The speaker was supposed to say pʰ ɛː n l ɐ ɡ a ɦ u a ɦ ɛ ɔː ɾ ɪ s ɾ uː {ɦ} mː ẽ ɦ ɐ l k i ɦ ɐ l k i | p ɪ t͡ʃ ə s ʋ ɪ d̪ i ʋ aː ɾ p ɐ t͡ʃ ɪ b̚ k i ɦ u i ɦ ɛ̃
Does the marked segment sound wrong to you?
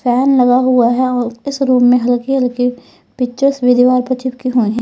yes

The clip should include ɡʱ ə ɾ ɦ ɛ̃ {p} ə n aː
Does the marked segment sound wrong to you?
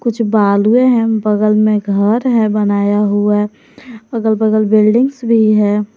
yes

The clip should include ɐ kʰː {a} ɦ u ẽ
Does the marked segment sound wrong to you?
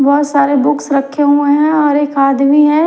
yes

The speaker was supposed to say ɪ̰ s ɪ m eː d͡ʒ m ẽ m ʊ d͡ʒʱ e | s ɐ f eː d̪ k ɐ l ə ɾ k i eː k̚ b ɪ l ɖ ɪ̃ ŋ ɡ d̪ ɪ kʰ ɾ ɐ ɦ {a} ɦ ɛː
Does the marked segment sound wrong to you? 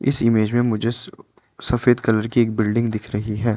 yes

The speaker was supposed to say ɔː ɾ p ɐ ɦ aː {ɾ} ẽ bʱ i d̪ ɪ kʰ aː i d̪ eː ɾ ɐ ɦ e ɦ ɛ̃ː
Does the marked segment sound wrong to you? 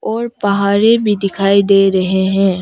no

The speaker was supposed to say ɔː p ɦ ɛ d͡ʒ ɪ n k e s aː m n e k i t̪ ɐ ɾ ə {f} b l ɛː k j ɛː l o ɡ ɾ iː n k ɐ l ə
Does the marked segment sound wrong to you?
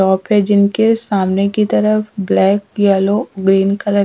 no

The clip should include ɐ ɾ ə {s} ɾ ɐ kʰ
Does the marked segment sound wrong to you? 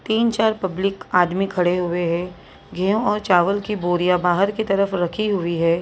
yes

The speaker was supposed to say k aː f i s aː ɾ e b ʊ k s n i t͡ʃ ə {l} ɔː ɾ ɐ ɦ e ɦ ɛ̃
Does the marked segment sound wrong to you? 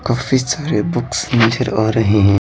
yes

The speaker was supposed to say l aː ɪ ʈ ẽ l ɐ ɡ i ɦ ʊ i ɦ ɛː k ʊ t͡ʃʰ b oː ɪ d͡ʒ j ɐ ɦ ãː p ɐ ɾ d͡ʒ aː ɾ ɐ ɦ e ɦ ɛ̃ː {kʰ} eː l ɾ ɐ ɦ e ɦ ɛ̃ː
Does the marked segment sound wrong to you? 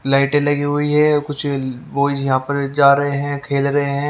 no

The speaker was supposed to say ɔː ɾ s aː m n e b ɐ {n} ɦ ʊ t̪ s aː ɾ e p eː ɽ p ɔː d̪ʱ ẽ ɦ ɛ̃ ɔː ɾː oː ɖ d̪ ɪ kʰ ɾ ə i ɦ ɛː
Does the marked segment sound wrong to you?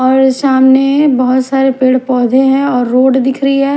yes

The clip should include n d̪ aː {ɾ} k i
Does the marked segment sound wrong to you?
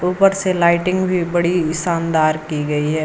no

